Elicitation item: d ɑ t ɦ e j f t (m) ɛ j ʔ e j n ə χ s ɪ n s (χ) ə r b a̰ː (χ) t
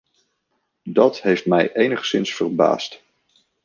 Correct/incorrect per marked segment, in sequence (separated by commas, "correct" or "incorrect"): correct, incorrect, incorrect